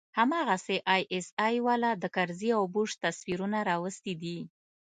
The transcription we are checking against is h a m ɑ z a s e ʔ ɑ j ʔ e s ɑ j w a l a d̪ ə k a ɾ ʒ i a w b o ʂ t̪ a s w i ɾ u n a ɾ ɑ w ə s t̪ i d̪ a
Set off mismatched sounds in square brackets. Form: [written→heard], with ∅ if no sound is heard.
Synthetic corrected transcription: h a m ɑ [z→ɣ] a s e ʔ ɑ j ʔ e s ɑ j w a l a d̪ ə k a ɾ [ʒ→z] i a w b [o→u] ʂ t̪ a s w i ɾ u n a ɾ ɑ w ə s t̪ i d̪ [a→i]